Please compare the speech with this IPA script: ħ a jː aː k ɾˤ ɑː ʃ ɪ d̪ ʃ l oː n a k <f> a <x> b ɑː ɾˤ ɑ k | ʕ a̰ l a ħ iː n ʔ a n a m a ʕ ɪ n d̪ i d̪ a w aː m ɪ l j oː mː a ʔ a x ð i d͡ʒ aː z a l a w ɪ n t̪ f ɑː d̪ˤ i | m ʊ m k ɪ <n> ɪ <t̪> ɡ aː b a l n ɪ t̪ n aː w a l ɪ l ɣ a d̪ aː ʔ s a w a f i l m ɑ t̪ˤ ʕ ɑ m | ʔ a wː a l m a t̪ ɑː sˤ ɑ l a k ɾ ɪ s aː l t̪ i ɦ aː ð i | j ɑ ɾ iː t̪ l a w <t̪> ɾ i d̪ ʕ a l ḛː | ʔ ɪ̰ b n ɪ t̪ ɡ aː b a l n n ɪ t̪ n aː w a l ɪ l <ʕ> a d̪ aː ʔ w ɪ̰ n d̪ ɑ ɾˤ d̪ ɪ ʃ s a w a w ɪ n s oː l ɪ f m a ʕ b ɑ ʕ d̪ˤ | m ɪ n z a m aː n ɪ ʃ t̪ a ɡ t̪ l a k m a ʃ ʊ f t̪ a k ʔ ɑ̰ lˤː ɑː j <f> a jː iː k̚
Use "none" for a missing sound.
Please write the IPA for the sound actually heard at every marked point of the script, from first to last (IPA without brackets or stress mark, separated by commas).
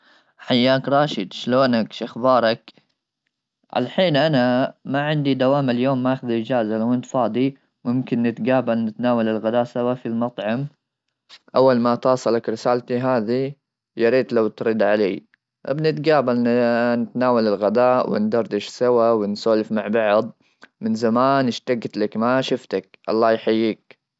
ʃ, x, nː, t̪, t̪, ɣ, ħ